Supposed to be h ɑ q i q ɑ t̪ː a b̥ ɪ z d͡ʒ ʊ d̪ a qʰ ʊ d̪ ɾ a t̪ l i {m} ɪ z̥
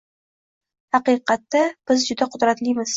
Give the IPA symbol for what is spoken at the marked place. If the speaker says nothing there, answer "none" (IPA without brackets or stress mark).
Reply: m